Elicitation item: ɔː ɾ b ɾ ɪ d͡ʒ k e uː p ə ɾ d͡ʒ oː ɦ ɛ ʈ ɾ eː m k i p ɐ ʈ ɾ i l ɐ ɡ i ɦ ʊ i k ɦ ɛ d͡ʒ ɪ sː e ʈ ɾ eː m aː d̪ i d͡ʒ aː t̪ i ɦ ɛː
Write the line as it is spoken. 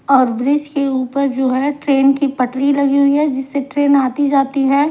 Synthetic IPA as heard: ɔː ɾ b ɾ ɪ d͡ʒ k e uː p ə ɾ d͡ʒ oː ɦ ɛ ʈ ɾ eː n k i p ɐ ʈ ɾ i l ɐ ɡ i ɦ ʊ i ɦ ɛ d͡ʒ ɪ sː e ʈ ɾ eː n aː t̪ i d͡ʒ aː t̪ i ɦ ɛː